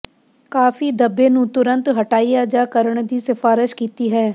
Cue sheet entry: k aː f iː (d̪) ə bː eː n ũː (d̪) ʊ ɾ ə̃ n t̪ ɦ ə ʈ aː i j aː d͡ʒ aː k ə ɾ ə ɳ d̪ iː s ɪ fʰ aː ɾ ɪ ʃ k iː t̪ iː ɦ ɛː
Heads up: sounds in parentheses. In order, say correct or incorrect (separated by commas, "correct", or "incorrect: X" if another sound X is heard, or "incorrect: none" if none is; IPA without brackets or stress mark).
correct, incorrect: t̪